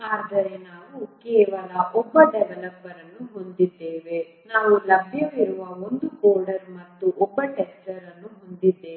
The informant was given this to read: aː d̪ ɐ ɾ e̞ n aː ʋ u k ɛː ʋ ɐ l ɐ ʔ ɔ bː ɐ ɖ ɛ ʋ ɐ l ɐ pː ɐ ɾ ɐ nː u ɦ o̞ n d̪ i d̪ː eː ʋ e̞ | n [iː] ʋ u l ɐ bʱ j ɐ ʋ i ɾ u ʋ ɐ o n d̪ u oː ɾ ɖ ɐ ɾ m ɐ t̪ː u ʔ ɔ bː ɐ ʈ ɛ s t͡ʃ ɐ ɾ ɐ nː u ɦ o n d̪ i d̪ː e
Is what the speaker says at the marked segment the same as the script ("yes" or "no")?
no